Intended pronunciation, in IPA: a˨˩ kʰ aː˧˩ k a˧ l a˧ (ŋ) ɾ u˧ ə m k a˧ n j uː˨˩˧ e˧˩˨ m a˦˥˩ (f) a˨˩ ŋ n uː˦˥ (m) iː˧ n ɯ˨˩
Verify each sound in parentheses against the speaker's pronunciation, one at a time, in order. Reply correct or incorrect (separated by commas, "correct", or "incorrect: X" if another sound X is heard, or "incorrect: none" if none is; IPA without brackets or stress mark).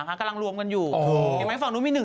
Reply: correct, correct, correct